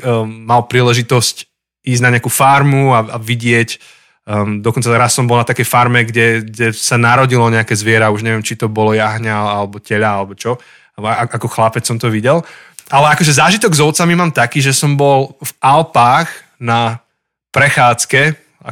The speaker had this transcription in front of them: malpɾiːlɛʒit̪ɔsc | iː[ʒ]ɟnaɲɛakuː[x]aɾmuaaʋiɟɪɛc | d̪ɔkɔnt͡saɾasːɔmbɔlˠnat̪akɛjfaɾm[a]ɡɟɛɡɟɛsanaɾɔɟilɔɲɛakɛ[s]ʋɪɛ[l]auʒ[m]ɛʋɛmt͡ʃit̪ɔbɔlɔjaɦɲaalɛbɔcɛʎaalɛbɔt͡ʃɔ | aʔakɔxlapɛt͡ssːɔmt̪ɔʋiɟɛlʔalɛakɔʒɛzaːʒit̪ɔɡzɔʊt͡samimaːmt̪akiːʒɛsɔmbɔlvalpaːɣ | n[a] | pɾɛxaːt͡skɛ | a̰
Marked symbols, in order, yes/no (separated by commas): no, no, no, no, no, no, yes